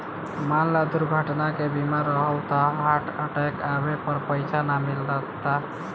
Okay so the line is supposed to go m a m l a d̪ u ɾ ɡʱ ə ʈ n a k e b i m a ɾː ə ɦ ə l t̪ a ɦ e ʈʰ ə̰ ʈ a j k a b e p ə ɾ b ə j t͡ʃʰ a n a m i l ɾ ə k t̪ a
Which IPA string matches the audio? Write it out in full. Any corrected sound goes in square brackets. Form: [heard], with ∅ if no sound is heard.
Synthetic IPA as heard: m a [n] l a d̪ u ɾ ɡʱ ə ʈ n a k e b i m a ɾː ə ɦ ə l t̪ a ɦ [a] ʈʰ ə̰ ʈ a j k a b e p ə ɾ [p] ə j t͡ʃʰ a n a m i l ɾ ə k t̪ a